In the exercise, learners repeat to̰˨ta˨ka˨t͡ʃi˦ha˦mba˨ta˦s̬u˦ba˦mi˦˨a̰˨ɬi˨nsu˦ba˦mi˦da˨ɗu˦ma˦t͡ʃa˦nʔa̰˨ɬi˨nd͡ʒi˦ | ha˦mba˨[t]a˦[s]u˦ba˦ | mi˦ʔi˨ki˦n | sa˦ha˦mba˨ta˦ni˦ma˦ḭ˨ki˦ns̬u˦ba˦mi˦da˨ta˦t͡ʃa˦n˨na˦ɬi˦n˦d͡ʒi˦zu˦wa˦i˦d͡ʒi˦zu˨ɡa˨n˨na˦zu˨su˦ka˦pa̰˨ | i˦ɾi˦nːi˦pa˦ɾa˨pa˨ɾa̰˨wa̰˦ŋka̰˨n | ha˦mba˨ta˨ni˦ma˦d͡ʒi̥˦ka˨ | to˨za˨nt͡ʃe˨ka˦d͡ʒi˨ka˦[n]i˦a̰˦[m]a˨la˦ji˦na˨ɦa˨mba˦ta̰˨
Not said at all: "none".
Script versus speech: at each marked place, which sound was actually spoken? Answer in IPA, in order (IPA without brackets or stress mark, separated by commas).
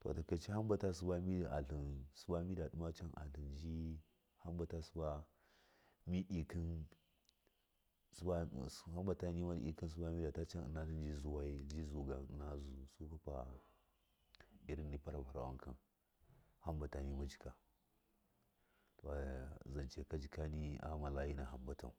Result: t, s, n, m